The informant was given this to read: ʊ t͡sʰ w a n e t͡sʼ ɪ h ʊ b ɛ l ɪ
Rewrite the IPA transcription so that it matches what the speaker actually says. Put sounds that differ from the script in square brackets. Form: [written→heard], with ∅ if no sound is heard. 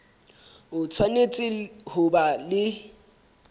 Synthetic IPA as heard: ʊ t͡sʰ w a n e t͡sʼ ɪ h ʊ b [ɛ→a] l ɪ